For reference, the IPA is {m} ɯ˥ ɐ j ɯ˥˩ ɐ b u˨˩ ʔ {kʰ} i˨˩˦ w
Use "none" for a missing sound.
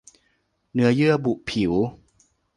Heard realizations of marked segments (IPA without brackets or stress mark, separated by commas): n, pʰ